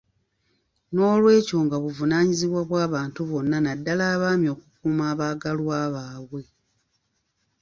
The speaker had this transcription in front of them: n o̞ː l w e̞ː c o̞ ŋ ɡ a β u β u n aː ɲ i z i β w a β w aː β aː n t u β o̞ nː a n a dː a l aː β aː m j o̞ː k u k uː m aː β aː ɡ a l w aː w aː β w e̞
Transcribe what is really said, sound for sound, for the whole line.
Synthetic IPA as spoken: n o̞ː l w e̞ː c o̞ ŋ ɡ a β u v u n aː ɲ i z i β w a β w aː β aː n t u β o̞ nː a n a dː a l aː β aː m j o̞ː k u k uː m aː β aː ɡ a l w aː β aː β w e̞